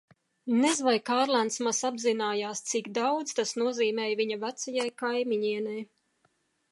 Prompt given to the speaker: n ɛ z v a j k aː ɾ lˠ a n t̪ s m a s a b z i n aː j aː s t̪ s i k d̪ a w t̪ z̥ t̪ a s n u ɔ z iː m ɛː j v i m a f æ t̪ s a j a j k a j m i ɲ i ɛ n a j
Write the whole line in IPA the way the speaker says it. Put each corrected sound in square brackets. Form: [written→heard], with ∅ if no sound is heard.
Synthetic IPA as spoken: n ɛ z v a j k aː ɾ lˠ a n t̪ s m a s a b z i n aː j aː s t̪ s i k d̪ a w [t̪→d̪] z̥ t̪ a s n u ɔ z iː m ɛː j v i [m→ɲ] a [f→v] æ t̪ s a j a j k a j m i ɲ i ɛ n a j